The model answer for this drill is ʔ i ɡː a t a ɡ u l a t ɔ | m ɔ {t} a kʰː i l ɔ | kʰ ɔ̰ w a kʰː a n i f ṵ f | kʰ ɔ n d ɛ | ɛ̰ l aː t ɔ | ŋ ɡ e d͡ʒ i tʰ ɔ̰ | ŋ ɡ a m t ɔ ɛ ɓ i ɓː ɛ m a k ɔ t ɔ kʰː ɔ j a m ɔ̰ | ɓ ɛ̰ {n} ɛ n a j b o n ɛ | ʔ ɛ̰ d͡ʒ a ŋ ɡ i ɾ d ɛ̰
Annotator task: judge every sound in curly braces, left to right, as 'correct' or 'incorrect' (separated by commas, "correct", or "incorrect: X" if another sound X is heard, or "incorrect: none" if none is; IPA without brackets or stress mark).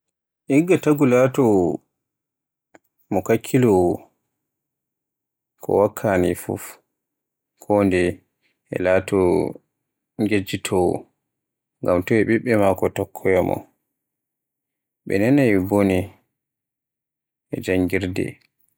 incorrect: k, correct